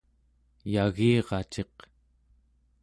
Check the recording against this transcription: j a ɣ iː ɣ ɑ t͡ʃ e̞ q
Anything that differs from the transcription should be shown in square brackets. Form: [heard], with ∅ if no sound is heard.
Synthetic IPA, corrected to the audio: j a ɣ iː [ʁ] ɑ t͡ʃ e̞ q